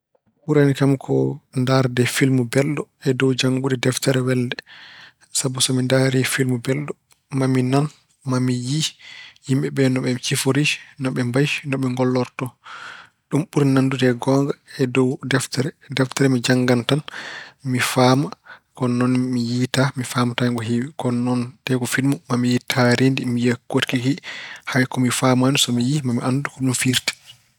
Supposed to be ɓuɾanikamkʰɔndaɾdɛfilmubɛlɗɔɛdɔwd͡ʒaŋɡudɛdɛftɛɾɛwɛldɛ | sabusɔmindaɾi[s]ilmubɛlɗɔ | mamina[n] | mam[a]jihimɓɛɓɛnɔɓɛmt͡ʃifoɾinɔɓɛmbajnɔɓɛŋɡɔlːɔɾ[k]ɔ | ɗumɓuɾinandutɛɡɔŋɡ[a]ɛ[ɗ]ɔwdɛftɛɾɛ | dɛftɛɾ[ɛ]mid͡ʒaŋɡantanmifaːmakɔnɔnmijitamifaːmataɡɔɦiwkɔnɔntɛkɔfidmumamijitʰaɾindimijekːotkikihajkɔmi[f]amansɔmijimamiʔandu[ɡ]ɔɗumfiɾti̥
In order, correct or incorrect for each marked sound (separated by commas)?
incorrect, correct, incorrect, incorrect, correct, incorrect, correct, correct, incorrect